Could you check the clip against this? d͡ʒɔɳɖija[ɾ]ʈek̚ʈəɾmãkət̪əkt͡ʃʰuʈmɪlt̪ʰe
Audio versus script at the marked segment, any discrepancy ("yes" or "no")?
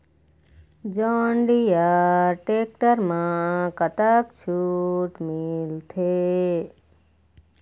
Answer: no